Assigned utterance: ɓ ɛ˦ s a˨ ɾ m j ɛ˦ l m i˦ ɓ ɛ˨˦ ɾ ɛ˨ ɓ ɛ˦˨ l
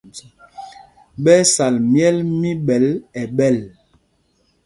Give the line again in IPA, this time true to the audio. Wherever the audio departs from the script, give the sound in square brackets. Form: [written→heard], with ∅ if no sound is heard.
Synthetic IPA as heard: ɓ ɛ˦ s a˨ [ɾ→l] m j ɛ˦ l m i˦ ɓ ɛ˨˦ [ɾ→l] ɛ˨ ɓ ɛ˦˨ l

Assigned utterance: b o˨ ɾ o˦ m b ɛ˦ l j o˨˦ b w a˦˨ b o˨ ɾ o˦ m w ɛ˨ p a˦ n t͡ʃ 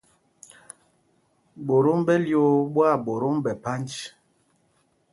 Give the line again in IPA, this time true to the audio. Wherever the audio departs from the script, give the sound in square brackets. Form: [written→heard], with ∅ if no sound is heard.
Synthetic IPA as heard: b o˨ ɾ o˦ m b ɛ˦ l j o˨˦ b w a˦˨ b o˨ ɾ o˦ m [w→b] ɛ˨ p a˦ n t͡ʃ

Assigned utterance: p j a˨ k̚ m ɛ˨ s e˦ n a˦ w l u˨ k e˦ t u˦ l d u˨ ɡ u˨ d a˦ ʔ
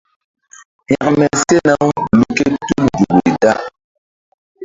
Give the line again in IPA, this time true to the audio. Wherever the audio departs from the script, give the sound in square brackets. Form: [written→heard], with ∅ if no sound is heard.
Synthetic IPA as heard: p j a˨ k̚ m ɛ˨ s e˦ n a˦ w l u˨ k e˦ t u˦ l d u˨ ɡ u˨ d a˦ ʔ

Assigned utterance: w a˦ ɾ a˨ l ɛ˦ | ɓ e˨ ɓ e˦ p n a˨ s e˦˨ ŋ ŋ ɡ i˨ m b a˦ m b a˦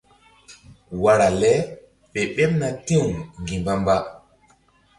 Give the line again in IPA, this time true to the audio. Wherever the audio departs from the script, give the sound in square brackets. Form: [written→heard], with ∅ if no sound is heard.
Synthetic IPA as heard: w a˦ ɾ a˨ l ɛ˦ | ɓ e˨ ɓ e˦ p n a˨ [s→t] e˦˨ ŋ ŋ ɡ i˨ m b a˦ m b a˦

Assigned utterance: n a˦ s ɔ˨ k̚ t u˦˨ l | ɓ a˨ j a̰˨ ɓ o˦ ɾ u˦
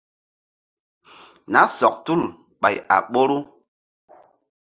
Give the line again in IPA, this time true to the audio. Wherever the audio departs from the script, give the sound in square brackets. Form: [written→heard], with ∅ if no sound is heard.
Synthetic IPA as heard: n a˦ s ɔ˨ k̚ t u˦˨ l | ɓ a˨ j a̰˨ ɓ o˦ ɾ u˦

